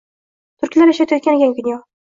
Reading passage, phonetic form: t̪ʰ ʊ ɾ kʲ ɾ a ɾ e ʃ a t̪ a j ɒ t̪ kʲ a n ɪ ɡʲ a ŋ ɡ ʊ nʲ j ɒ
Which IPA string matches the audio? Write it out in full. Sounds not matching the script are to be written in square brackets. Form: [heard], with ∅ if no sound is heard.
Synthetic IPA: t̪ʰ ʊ ɾ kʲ [l] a ɾ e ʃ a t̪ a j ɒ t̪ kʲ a n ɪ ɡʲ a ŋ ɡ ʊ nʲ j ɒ

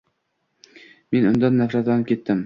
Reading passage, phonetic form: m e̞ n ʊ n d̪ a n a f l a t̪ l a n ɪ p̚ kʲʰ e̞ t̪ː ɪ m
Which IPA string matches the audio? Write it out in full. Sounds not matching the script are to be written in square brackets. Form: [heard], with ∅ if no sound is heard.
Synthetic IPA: m e̞ n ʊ n d̪ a [nː] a f [ɾ] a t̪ l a n ɪ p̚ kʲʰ e̞ t̪ː ɪ m

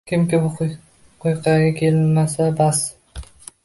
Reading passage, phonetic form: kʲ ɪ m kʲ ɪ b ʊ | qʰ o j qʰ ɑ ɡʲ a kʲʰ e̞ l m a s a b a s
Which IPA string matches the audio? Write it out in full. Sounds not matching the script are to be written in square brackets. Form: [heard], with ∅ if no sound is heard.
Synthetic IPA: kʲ ɪ m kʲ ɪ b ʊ | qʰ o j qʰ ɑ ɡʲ a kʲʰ e̞ l m a s a b a s

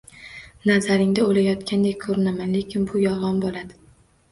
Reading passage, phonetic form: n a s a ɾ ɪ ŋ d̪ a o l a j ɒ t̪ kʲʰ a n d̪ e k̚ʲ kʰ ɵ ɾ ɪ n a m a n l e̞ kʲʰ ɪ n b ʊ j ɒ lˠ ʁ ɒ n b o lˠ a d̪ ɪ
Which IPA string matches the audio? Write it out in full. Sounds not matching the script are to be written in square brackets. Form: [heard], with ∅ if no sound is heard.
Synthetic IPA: n a [z] a ɾ ɪ ŋ d̪ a o l a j ɒ t̪ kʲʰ a n d̪ e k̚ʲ kʰ ɵ ɾ ɪ n a m a n l e̞ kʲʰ ɪ n b ʊ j ɒ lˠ ʁ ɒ n b o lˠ a d̪ ɪ

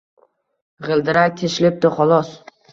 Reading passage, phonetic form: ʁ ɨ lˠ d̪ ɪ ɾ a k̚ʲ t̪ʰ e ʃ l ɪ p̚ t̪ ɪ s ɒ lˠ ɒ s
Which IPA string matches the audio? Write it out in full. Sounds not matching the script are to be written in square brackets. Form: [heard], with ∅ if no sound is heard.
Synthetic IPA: ʁ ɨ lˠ d̪ ɪ ɾ a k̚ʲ t̪ʰ e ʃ l ɪ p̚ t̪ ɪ [χ] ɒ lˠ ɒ s

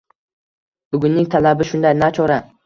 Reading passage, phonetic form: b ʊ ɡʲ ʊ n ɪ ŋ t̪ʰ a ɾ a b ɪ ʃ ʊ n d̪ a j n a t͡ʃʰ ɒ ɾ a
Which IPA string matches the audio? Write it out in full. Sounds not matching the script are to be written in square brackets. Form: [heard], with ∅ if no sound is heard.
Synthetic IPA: b ʊ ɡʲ ʊ [nː] ɪ ŋ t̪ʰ a [l] a b ɪ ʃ ʊ n d̪ a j n a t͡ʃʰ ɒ ɾ a

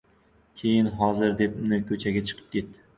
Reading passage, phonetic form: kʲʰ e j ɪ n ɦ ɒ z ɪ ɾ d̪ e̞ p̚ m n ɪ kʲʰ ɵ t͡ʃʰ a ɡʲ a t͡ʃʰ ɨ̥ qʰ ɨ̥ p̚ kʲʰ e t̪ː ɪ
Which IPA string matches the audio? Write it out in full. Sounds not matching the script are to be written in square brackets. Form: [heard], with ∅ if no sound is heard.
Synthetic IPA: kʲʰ e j ɪ n ɦ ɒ z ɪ ɾ d̪ e̞ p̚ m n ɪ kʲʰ ɵ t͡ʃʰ a ɡʲ a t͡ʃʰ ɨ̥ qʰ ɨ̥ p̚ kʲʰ e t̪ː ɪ

